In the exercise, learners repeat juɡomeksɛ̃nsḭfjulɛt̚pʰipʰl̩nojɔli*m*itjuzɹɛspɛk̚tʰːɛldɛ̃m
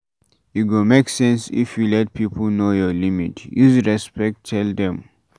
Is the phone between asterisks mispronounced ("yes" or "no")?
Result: no